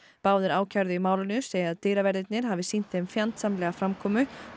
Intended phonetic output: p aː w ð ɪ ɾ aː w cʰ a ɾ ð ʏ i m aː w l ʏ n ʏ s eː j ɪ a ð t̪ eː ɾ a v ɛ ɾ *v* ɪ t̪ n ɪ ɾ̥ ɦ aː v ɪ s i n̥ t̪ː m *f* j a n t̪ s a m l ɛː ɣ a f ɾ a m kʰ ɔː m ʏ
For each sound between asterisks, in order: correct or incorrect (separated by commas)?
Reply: incorrect, correct